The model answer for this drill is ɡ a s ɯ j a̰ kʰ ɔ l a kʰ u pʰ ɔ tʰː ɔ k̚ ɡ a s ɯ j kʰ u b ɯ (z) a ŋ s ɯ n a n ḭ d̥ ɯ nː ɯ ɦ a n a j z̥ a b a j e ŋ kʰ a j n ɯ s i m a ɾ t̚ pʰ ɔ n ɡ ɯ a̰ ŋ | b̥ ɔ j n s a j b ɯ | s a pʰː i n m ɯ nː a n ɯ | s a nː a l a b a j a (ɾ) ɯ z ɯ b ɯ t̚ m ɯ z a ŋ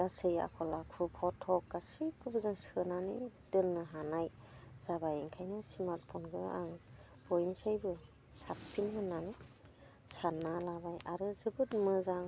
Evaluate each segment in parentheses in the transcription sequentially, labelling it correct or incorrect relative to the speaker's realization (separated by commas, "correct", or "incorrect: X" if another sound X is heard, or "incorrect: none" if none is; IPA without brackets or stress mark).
correct, correct